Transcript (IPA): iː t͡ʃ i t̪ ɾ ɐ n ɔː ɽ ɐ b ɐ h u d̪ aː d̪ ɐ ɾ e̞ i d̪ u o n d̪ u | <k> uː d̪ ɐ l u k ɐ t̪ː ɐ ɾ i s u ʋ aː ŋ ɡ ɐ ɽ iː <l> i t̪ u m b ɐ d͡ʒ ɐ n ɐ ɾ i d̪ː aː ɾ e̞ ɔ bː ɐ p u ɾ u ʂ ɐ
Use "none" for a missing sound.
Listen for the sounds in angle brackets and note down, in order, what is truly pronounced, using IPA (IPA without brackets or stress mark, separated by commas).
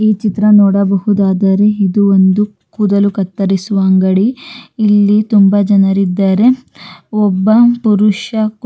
k, lː